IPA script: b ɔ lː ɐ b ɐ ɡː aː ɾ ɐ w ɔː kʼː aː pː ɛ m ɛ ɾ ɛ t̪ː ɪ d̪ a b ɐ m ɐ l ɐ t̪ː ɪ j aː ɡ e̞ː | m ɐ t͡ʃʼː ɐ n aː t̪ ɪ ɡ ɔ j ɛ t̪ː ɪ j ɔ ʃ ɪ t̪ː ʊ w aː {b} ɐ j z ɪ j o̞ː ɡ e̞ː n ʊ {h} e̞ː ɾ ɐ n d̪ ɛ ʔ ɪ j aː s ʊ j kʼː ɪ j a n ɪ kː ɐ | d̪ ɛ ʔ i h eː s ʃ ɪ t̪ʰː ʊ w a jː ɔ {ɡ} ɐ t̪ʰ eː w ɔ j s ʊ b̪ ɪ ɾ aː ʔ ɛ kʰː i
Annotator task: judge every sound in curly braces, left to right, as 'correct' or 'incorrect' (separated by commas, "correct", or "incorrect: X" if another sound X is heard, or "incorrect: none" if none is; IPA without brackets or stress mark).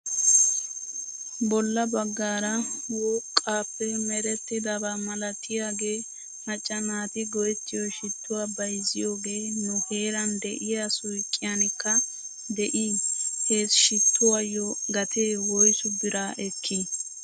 correct, correct, correct